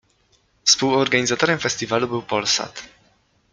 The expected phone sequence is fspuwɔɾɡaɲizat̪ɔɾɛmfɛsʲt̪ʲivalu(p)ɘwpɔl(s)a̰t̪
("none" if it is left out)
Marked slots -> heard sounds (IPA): b, s

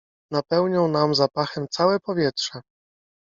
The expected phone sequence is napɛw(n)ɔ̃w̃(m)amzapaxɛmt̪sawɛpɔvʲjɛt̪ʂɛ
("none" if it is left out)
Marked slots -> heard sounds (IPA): ɲ, n

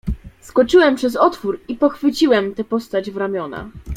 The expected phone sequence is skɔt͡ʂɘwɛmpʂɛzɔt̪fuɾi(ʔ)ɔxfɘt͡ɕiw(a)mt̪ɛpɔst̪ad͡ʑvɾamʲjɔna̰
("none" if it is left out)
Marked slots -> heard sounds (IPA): p, ɛ

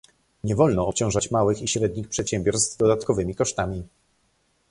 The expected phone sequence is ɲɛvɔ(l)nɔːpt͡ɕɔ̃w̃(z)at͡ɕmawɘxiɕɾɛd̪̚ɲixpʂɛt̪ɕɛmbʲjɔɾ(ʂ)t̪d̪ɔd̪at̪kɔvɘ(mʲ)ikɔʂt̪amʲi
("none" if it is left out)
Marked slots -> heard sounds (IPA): l, ʐ, s, mʲ

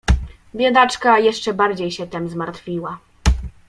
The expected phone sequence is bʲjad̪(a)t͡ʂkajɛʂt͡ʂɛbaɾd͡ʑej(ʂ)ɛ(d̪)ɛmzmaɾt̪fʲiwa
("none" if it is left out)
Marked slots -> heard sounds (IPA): a, ɕ, t̪

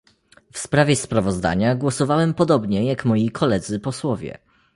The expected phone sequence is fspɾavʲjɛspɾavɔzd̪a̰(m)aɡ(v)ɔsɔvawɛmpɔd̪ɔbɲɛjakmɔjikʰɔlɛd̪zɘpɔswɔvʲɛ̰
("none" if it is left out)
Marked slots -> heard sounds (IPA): ɲ, w

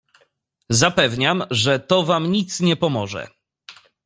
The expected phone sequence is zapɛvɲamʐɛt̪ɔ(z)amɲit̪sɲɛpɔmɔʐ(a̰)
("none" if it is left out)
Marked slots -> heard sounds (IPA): v, ɛ̰

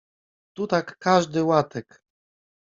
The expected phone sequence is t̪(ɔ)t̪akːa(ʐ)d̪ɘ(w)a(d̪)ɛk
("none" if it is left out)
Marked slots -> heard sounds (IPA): u, ʐ, w, t̪

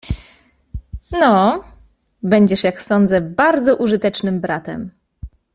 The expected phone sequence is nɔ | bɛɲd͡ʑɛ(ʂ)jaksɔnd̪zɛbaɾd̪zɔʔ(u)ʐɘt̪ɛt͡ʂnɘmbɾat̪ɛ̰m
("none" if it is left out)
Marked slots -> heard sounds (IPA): ʂ, u

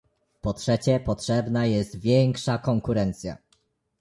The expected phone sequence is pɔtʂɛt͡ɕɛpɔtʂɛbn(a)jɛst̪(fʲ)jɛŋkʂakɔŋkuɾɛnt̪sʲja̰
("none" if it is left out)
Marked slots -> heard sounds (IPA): a, vʲ

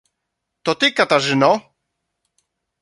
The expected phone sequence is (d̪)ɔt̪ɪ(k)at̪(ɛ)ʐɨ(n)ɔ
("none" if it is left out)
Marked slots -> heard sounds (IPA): t̪, k, a, n

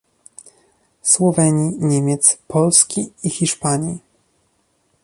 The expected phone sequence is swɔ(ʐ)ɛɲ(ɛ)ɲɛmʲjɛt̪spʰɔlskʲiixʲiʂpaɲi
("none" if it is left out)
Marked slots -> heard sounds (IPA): v, i

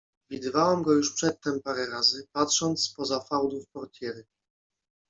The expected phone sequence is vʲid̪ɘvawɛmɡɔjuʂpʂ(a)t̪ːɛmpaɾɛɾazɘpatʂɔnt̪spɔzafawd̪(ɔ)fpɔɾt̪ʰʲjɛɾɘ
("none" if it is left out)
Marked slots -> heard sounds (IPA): ɛ, u

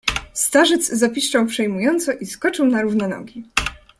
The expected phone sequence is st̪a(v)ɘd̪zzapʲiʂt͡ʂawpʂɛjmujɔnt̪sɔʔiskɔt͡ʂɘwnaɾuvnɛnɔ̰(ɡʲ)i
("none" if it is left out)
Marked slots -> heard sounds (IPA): ʐ, ɡʲ

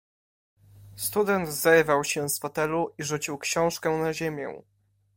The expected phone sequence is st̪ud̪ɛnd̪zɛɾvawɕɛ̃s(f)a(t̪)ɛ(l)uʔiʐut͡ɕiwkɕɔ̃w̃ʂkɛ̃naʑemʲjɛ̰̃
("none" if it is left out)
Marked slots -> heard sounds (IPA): f, t̪, l

